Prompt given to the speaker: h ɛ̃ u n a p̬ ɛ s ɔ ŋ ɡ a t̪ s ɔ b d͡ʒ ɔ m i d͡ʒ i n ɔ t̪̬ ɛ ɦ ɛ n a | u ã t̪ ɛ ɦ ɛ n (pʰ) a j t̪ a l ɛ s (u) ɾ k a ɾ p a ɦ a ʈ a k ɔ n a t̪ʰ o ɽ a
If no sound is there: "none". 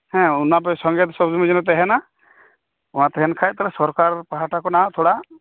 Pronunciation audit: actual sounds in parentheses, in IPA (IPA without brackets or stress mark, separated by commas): kʰ, ɔ